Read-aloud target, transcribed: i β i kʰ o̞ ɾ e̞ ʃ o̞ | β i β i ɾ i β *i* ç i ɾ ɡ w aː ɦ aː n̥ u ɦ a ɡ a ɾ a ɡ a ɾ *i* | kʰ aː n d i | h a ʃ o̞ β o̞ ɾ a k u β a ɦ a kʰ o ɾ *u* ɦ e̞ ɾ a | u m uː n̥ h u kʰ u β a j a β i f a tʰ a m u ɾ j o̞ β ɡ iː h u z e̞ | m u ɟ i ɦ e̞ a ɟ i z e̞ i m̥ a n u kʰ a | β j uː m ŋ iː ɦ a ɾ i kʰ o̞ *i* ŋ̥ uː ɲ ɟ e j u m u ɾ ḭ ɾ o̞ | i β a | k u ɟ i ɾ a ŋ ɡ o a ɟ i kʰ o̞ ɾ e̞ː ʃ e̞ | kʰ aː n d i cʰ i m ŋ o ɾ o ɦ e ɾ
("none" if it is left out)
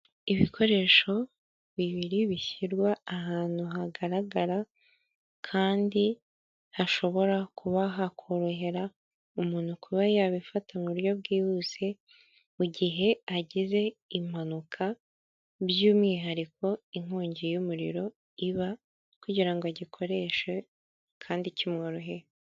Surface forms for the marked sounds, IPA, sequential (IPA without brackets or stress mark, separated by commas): i, a, o, i